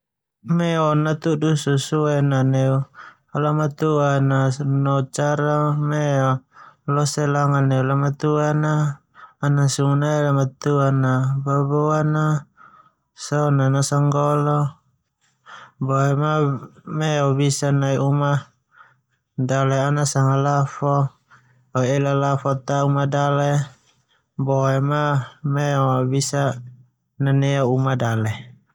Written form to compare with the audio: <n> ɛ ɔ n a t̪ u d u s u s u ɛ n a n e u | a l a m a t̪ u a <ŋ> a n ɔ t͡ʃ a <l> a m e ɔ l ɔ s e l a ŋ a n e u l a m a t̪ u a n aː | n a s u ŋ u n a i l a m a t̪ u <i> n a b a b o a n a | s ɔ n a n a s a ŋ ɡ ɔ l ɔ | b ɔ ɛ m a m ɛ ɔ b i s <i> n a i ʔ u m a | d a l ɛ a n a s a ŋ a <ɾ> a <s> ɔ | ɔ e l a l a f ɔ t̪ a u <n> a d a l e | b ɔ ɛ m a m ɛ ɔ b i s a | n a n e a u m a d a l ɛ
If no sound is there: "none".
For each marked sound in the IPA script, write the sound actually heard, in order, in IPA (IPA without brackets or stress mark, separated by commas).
m, n, ɾ, a, a, l, f, m